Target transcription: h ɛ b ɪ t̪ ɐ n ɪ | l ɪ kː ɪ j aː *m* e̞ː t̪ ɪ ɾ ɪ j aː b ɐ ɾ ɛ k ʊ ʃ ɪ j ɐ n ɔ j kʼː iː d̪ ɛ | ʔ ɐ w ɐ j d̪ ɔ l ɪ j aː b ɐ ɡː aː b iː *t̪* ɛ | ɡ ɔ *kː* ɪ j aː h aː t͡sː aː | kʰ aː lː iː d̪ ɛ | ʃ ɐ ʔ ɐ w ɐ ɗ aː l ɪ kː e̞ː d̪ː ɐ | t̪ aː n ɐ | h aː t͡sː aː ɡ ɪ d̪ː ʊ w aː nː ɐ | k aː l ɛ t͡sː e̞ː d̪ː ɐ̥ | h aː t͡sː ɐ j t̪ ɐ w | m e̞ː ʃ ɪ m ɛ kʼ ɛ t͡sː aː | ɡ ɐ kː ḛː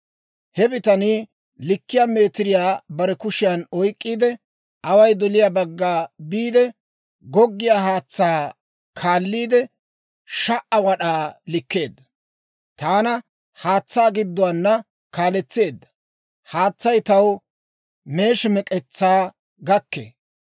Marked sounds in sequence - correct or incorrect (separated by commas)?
correct, incorrect, incorrect